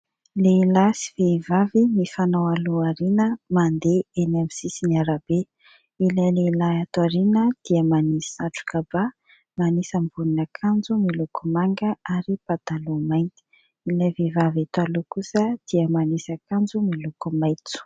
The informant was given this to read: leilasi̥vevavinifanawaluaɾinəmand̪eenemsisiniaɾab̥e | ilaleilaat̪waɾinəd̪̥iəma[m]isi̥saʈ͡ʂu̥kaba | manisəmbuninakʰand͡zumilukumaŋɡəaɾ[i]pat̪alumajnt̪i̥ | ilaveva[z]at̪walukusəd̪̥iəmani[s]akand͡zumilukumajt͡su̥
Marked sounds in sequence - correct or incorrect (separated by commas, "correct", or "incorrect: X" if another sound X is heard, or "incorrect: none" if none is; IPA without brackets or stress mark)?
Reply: incorrect: n, correct, incorrect: v, correct